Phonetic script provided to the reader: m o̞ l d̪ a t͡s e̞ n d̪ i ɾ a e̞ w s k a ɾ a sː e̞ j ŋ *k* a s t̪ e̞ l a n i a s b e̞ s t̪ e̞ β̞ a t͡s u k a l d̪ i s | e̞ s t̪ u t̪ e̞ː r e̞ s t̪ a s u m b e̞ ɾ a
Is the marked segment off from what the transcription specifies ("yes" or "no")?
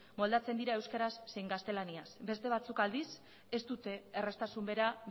yes